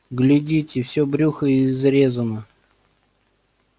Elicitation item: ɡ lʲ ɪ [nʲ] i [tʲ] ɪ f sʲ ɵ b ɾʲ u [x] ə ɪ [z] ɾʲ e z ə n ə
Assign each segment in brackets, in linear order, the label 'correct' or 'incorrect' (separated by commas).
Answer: incorrect, correct, correct, correct